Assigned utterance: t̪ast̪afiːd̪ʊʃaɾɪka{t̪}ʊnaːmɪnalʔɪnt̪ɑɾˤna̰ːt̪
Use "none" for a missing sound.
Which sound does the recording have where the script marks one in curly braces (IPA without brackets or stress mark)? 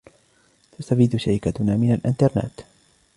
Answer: t̪